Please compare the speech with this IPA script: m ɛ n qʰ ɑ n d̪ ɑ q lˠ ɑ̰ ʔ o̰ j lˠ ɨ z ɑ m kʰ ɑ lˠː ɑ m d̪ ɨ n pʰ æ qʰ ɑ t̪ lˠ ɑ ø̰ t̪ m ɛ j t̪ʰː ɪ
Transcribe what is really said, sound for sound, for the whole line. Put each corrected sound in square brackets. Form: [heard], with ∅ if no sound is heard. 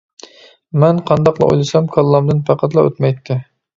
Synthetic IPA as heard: m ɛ n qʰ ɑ n d̪ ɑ q lˠ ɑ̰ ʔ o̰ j lˠ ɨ [s] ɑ m kʰ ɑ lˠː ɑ m d̪ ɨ n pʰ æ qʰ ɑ t̪ lˠ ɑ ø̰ t̪ m ɛ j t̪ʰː ɪ